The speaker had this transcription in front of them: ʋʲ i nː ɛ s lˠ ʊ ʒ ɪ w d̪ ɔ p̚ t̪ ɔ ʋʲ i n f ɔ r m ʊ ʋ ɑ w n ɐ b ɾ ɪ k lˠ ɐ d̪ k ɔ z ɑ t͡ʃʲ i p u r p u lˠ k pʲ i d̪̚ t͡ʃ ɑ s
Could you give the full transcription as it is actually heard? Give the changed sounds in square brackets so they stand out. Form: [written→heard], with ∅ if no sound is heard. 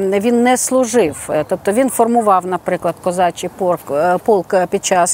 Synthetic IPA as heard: ʋʲ i nː ɛ s lˠ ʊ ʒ ɪ w [d̪→t̪] ɔ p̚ t̪ ɔ ʋʲ i n f ɔ r m ʊ ʋ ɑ w n ɐ [b→p] ɾ ɪ k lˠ ɐ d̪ k ɔ z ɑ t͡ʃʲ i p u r p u lˠ k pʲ i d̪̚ t͡ʃ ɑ s